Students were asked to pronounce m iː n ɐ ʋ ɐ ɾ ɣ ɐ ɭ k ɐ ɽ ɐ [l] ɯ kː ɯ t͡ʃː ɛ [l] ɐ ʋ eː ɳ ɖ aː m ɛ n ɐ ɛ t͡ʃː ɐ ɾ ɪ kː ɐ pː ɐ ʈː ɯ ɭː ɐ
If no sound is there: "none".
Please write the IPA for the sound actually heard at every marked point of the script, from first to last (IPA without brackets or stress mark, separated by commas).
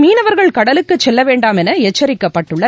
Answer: l, lː